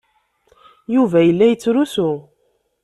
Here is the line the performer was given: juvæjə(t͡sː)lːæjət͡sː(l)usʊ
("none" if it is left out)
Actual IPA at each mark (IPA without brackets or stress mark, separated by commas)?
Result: none, ɾ